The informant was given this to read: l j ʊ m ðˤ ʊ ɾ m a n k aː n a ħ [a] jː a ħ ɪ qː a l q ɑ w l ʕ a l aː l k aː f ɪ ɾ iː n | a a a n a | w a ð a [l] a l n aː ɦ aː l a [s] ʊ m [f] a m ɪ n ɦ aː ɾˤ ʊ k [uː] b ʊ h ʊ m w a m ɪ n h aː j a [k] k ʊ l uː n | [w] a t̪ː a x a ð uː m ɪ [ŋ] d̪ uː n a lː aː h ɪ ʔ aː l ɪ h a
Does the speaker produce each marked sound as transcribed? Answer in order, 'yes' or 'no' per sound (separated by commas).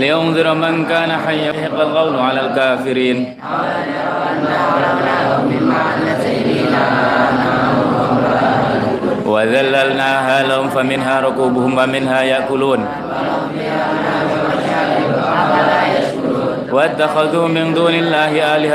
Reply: yes, no, no, yes, yes, no, yes, no